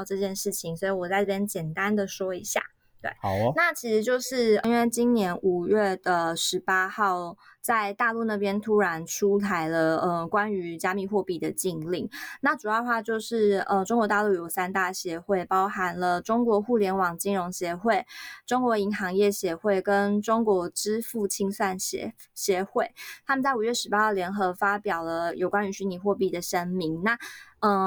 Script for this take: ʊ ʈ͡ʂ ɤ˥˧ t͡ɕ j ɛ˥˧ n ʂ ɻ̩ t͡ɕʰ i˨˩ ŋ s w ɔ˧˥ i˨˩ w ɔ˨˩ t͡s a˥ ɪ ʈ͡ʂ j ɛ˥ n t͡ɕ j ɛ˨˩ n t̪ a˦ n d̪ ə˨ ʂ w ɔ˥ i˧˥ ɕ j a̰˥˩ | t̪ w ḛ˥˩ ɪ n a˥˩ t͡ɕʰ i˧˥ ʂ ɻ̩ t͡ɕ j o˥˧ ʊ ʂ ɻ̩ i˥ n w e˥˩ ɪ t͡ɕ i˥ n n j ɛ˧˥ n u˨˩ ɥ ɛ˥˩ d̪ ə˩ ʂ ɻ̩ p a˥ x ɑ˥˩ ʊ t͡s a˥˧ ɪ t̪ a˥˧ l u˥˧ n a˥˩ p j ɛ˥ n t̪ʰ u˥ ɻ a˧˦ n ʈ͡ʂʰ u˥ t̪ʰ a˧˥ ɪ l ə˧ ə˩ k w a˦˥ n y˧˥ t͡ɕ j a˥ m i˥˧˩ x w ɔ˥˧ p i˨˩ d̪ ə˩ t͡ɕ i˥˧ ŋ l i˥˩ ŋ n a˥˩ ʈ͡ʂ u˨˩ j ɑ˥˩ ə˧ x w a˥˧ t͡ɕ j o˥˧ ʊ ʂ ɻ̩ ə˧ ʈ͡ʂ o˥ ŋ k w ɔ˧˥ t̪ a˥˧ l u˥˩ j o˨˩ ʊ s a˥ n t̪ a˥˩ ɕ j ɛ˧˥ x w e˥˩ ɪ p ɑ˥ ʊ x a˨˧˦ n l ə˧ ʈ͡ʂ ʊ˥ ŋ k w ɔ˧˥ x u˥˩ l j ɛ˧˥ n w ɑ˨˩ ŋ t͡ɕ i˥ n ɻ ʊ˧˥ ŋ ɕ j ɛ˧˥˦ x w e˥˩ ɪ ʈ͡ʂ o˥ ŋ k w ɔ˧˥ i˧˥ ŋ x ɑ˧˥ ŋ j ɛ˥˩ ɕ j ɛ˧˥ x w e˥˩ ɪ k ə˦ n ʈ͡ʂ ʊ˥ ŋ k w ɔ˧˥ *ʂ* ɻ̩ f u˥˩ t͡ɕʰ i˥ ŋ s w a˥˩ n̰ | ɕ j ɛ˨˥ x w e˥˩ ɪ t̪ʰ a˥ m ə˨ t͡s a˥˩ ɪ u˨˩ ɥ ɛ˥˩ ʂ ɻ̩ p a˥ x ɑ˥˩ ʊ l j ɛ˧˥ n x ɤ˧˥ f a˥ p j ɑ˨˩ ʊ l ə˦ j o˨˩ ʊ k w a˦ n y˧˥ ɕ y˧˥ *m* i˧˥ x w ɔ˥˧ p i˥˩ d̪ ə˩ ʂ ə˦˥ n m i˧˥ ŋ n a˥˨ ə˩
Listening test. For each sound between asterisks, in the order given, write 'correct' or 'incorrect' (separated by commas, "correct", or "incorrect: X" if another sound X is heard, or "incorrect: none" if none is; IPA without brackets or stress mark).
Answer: incorrect: ʈ͡ʂ, incorrect: n